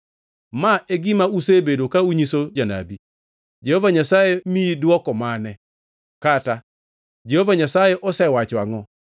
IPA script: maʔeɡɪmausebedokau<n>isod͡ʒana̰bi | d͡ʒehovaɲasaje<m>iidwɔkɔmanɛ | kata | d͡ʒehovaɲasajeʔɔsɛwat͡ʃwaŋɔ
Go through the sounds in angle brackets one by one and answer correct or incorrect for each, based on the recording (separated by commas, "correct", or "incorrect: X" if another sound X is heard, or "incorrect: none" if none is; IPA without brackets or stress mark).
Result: incorrect: ɲ, correct